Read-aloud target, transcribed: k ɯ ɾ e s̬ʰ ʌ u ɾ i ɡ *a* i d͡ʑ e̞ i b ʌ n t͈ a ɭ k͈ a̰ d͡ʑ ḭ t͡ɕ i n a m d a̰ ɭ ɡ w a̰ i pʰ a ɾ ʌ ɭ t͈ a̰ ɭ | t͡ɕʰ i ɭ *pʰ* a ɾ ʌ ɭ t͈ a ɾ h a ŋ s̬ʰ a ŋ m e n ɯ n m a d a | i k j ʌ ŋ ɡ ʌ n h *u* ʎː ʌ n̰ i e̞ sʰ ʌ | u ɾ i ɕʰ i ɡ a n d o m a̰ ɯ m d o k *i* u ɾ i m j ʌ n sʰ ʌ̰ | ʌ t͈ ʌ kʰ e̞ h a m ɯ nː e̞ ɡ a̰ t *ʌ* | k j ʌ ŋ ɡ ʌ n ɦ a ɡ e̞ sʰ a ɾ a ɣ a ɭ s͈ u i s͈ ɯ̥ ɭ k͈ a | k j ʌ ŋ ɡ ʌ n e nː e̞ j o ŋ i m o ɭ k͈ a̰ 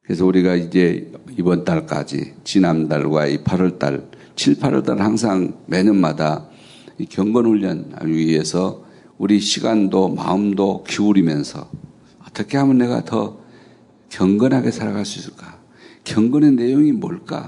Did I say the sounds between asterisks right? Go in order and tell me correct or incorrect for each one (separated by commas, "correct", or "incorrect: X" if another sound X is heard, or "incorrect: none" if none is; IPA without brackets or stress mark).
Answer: correct, correct, correct, correct, correct